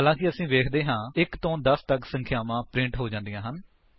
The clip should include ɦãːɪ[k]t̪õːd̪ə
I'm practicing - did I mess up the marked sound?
no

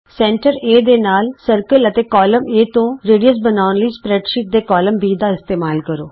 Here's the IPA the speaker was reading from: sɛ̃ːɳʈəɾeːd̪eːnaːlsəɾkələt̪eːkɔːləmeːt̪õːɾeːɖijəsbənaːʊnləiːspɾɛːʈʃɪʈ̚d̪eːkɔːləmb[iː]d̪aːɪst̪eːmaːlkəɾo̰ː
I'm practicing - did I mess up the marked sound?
no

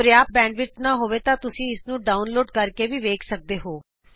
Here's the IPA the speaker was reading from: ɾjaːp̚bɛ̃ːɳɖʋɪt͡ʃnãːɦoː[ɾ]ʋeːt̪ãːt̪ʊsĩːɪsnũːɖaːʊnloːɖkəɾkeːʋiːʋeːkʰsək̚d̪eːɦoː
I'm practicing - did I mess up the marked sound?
yes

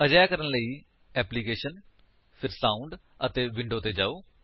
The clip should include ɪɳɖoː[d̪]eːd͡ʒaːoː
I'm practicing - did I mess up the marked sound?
yes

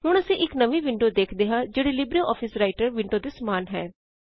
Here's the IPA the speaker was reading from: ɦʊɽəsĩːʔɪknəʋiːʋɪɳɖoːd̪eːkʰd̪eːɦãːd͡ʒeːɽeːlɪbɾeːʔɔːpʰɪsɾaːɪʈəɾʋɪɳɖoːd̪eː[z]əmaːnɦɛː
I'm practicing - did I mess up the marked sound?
yes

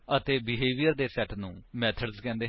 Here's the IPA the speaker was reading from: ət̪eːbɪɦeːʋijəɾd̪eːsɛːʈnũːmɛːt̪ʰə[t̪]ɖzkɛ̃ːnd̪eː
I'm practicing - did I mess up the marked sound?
yes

